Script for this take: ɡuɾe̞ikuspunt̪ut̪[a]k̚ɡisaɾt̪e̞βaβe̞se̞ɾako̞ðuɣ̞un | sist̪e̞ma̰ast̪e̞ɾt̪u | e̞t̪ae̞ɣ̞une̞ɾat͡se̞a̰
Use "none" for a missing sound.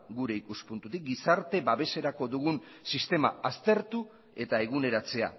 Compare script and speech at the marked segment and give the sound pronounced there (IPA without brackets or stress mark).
i